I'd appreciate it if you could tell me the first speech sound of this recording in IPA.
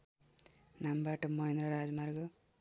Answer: n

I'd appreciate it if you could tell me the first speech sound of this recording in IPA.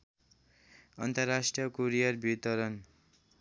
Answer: ʌ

